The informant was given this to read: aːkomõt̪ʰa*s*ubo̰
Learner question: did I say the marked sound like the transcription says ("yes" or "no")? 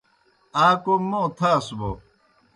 yes